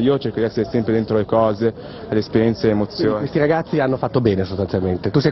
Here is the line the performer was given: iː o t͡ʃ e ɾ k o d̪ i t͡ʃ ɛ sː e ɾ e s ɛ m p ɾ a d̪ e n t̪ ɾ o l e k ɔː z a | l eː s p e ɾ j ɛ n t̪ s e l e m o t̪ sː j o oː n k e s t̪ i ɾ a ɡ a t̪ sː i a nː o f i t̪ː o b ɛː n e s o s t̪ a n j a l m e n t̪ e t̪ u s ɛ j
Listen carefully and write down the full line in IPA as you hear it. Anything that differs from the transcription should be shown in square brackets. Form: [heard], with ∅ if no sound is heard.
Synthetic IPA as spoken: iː o t͡ʃ e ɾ k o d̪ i [∅] ɛ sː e ɾ e s ɛ m p ɾ [e] d̪ e n t̪ ɾ o l e k ɔː z [e] | l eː s p e ɾ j ɛ n t̪ s e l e m o t̪ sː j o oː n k e s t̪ i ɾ a ɡ a t̪ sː i a nː o f [a] t̪ː o b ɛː n e s o s t̪ a n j a l m e n t̪ e t̪ u s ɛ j